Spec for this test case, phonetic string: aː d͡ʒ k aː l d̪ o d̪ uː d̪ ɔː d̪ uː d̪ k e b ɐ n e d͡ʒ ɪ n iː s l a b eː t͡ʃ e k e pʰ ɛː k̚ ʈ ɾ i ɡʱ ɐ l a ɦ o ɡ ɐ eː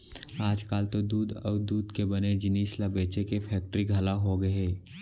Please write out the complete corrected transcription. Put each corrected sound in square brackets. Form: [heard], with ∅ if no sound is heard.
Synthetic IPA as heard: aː d͡ʒ k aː l [t̪] o d̪ uː d̪ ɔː d̪ uː d̪ k e b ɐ n e d͡ʒ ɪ n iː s l a b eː t͡ʃ e k e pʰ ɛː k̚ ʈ ɾ i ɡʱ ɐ l a ɦ o ɡ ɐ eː